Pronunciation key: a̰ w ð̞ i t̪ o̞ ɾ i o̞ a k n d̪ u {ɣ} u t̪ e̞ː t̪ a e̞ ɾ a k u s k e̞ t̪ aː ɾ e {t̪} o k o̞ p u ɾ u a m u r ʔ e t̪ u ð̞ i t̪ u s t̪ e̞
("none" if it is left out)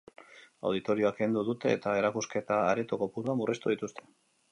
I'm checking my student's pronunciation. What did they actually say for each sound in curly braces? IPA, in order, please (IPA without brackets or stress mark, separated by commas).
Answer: ð, t̪